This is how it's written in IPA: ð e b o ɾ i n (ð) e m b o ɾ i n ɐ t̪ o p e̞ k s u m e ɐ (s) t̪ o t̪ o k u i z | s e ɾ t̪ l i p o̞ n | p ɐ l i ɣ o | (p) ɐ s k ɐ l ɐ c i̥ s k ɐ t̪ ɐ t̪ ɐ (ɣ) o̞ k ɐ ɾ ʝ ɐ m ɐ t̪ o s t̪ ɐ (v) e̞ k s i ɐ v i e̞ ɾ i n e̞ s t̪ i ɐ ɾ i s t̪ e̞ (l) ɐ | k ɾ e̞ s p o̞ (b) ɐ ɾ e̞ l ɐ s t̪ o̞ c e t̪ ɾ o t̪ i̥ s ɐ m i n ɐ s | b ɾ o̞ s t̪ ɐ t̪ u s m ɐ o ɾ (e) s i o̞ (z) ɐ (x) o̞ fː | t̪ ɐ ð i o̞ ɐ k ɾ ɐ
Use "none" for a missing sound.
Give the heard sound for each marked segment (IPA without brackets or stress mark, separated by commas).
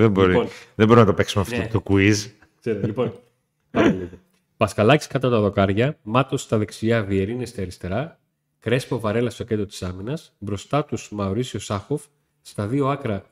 ð, f, p, ð, ð, ɾ, v, i, s, x